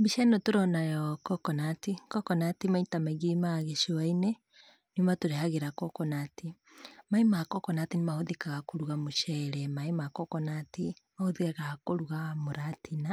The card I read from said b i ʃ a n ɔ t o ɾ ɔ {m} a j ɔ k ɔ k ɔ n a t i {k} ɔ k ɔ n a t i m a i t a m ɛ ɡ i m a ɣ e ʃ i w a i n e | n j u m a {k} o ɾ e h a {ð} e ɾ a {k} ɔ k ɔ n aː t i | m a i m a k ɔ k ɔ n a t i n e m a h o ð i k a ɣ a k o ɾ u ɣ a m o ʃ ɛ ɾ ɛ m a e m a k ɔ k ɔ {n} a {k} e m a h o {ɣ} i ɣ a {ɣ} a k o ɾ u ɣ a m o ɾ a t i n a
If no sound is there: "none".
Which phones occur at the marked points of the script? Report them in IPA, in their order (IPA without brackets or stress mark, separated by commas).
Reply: n, k, t, ɣ, k, n, t, ð, ɣ